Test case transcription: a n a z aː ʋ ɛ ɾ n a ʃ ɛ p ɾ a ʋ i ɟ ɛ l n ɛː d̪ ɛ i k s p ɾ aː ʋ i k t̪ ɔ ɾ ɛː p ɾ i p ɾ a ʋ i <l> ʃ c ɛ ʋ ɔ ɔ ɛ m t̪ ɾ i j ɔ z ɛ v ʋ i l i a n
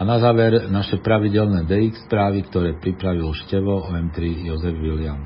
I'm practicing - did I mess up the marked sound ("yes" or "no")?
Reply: no